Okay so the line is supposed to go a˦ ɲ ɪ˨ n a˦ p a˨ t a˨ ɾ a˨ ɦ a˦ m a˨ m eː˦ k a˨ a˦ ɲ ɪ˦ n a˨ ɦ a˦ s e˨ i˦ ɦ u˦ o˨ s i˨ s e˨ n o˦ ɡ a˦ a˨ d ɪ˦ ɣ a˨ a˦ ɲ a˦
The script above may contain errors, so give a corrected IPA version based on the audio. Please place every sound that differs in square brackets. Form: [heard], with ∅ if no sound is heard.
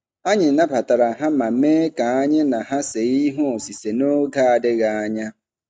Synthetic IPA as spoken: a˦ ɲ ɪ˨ n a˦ p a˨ t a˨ ɾ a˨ ɦ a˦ m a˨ m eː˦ k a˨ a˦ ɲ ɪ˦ n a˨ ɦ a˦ s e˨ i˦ ɦ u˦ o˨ s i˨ s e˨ n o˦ ɡ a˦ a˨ d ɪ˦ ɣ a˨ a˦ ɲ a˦